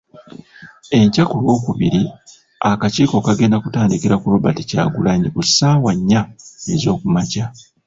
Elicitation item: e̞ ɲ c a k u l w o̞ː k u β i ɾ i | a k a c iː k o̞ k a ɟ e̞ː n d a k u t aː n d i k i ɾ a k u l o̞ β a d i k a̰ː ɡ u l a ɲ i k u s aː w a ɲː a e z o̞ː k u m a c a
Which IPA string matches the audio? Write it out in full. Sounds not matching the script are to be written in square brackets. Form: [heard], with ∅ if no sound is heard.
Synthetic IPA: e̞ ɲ c a k u l w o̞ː k u β i ɾ i | a k a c iː k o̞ k a [ɡ] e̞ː n d a k u t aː n d i k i ɾ a k u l o̞ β a [t] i [c] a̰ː ɡ u l a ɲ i k u s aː w a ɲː a e z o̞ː k u m a c a